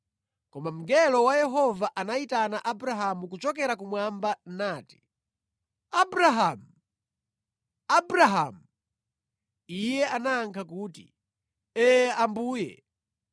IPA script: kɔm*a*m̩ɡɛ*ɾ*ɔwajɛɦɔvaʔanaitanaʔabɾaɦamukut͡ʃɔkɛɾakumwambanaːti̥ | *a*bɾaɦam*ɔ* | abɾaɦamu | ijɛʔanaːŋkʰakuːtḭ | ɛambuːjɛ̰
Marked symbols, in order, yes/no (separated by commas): yes, no, yes, no